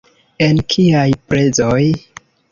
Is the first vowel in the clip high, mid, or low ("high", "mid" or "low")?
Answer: mid